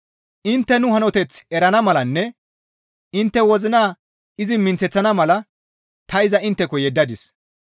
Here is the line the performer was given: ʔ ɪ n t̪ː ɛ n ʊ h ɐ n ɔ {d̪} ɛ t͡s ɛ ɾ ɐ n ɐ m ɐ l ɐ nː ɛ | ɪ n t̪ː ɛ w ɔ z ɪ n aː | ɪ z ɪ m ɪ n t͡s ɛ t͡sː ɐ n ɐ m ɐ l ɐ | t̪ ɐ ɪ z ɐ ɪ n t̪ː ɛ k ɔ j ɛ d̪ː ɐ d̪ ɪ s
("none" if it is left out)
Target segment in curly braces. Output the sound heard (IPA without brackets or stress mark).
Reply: t̪